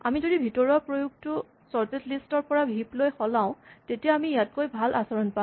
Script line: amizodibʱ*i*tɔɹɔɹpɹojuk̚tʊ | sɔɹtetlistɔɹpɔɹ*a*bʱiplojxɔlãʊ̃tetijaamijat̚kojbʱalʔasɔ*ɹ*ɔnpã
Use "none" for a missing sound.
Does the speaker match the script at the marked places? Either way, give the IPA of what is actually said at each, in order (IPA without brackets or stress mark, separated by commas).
i, a, ɹ